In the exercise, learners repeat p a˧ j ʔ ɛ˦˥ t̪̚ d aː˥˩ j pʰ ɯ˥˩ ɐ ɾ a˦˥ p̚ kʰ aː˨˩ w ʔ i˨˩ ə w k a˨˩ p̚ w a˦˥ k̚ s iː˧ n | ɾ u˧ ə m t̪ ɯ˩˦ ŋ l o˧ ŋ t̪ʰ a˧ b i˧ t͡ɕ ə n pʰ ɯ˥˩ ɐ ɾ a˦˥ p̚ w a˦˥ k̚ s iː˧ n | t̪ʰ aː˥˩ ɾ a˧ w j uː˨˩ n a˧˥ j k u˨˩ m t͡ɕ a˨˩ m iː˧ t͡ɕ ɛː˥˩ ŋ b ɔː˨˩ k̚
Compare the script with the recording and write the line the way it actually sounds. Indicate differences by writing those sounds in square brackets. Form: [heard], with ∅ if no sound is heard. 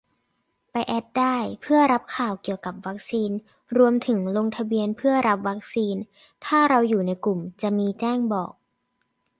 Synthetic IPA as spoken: p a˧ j ʔ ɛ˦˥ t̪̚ d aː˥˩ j pʰ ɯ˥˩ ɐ ɾ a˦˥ p̚ kʰ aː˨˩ w [k] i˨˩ ə w k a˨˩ p̚ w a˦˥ k̚ s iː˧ n | ɾ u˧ ə m [t̪ʰ] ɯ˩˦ ŋ l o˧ ŋ t̪ʰ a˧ b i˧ [∅] ə n pʰ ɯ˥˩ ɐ ɾ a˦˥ p̚ w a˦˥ k̚ s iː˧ n | t̪ʰ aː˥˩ ɾ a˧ w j uː˨˩ n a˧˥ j k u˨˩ m t͡ɕ a˨˩ m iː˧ t͡ɕ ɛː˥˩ ŋ b ɔː˨˩ k̚